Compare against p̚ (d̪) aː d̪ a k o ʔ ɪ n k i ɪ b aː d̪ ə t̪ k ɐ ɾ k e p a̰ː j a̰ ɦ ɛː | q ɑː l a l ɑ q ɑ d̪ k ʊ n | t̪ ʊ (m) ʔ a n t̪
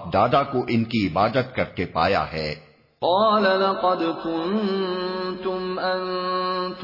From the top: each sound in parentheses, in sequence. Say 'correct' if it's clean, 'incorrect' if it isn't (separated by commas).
correct, correct